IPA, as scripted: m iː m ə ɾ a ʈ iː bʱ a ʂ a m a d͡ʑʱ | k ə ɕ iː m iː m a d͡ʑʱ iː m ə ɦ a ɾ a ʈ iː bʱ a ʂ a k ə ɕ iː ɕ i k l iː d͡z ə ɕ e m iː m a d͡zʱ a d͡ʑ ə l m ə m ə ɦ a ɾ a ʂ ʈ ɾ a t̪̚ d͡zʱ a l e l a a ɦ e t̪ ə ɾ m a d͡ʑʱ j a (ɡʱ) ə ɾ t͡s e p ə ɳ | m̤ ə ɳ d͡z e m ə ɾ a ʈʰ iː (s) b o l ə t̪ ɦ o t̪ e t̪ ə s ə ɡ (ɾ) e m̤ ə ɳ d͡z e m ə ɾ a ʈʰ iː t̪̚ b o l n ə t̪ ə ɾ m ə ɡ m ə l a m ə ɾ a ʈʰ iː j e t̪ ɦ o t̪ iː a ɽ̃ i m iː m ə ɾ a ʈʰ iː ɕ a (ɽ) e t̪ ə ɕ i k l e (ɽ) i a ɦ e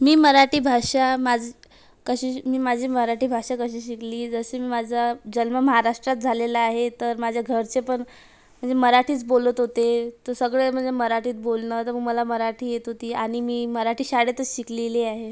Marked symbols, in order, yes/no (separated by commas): yes, no, no, yes, no